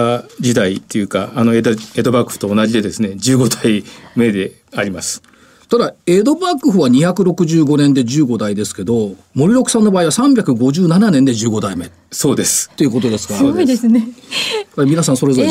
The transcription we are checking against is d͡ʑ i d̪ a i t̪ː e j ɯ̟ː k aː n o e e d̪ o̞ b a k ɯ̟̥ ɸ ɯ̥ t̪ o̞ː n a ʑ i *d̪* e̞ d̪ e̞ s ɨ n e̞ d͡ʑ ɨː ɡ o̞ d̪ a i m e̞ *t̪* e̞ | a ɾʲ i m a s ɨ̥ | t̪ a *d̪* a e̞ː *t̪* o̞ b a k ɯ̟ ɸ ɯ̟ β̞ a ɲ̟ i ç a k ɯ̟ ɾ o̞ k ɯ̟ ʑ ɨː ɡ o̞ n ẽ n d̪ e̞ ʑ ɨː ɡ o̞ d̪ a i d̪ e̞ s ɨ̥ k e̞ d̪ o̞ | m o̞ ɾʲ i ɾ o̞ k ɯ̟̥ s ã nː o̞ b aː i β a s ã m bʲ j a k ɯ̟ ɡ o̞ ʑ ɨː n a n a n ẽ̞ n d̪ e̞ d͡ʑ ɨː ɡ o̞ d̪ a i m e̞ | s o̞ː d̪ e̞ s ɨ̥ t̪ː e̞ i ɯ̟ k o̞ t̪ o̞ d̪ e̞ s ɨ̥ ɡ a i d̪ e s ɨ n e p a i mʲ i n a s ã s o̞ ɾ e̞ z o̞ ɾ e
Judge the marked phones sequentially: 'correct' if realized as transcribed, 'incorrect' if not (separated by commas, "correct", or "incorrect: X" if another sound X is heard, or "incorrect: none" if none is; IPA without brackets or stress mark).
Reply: correct, incorrect: d̪, correct, incorrect: d̪